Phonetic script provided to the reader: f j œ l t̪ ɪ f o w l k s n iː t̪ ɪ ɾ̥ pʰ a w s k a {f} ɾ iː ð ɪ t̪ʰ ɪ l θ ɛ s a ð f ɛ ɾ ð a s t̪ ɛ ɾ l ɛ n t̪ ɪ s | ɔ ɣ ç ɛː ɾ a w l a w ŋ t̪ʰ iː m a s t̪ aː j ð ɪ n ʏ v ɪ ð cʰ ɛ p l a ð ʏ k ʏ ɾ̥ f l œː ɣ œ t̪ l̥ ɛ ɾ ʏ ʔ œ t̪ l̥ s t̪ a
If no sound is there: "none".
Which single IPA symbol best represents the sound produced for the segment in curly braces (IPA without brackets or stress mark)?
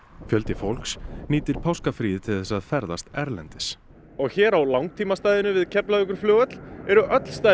f